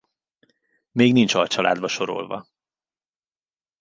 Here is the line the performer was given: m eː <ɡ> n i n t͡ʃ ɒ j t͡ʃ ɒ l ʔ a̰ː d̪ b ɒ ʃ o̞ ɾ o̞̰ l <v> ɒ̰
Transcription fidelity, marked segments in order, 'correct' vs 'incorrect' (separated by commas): correct, correct